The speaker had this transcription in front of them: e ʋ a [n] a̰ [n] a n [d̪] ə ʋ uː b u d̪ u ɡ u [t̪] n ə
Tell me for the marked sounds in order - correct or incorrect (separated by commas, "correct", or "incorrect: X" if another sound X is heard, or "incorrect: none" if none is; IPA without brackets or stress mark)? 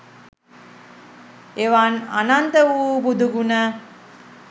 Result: correct, correct, incorrect: t̪, incorrect: none